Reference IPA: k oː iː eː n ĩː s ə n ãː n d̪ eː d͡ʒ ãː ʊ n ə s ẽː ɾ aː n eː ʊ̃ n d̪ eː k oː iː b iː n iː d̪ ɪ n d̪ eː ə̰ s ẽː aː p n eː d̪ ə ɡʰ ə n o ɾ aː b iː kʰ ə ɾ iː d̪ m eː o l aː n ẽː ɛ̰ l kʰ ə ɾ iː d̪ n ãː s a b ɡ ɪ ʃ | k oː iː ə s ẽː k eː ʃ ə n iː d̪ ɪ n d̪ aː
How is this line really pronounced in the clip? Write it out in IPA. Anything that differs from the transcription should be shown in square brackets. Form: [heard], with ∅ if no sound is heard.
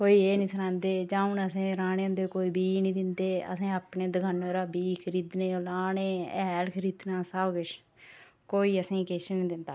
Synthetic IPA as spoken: k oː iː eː n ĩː s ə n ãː n d̪ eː d͡ʒ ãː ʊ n ə s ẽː ɾ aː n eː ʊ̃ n d̪ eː k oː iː b iː n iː d̪ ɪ n d̪ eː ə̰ s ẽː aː p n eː d̪ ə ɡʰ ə n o ɾ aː b iː kʰ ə ɾ iː d̪ [n] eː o l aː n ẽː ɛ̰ l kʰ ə ɾ iː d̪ n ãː s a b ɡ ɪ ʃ | k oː iː ə s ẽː k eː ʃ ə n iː d̪ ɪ n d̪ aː